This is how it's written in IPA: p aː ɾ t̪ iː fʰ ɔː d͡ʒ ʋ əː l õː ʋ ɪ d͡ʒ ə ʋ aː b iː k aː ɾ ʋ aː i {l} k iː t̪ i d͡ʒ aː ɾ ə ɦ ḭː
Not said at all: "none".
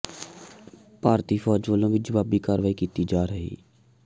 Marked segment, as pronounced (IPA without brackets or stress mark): none